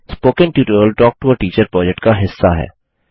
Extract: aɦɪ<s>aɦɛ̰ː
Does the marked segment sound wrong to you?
yes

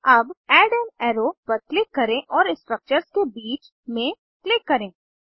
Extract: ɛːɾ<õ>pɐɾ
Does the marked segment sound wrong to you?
yes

